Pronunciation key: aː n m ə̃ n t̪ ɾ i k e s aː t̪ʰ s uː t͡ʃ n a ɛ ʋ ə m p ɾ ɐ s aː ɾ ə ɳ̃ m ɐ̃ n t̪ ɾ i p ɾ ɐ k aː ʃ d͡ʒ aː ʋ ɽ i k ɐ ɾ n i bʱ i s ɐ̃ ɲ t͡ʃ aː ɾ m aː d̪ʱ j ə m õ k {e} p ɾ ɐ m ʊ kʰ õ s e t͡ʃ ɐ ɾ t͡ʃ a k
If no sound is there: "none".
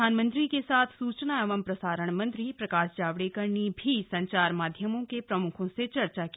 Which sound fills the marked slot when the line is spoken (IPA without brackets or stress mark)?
e